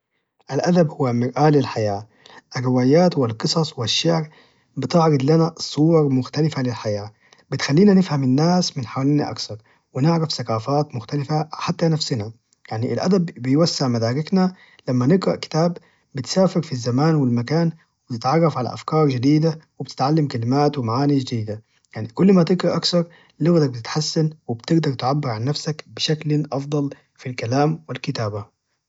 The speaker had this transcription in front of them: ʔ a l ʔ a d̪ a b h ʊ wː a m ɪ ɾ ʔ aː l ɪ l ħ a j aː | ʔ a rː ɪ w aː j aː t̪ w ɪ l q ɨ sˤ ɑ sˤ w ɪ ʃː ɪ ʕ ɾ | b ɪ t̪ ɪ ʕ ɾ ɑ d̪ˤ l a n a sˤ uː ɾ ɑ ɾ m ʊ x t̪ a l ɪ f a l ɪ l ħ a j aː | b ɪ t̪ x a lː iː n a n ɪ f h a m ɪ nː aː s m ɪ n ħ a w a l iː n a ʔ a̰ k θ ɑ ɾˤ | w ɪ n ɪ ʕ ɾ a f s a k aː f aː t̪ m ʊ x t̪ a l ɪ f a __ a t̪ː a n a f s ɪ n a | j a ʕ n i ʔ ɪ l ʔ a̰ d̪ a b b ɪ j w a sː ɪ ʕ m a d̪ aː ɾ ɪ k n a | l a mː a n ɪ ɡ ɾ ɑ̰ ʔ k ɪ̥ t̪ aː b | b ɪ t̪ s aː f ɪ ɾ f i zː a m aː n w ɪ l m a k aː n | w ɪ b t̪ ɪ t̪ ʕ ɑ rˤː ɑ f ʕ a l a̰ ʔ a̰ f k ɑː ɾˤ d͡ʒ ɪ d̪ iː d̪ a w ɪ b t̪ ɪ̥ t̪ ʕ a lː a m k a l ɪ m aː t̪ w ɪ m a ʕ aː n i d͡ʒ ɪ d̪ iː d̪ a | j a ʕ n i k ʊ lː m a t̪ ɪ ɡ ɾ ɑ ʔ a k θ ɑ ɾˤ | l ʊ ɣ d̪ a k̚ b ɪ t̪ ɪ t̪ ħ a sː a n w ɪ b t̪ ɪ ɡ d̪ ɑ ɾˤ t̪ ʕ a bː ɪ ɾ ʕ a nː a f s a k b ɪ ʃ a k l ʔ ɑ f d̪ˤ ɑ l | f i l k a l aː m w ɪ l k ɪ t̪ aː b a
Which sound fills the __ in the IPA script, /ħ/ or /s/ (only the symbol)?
ħ